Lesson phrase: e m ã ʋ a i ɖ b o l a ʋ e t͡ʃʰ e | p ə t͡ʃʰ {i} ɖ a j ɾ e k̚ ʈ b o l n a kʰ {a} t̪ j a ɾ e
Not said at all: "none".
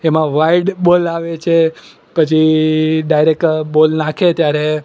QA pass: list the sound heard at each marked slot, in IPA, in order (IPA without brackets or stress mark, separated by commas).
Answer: i, e